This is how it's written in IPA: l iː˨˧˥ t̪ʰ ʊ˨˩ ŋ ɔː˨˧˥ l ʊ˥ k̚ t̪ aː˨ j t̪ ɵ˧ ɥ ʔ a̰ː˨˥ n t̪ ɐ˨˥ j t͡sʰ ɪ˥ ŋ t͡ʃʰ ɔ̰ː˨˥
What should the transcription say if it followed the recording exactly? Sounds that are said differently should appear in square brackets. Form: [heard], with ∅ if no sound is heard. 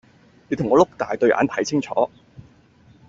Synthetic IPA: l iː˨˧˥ t̪ʰ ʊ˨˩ ŋ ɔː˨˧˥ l ʊ˥ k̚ t̪ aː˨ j t̪ ɵ˧ ɥ ʔ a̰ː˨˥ n [t̪ʰ] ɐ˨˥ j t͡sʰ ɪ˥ ŋ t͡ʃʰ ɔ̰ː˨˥